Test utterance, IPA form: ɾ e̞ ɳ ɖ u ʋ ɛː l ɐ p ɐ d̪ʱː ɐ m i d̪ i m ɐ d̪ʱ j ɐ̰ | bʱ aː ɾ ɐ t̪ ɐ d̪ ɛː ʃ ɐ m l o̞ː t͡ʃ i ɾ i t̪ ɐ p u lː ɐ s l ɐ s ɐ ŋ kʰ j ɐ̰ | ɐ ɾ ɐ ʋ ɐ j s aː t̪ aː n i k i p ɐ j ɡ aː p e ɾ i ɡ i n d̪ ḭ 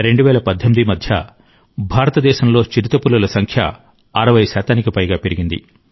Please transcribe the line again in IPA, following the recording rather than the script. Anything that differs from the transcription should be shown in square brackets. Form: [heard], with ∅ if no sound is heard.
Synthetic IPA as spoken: ɾ e̞ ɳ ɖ u ʋ ɛː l ɐ p ɐ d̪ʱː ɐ m i d̪ i m ɐ d̪ʱ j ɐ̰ | bʱ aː ɾ ɐ t̪ ɐ d̪ ɛː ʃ ɐ m l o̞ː t͡ʃ i ɾ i t̪ ɐ p u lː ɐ [∅] l ɐ s ɐ ŋ kʰ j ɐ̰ | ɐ ɾ ɐ ʋ ɐ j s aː t̪ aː n i k i p ɐ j ɡ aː p e ɾ i ɡ i n d̪ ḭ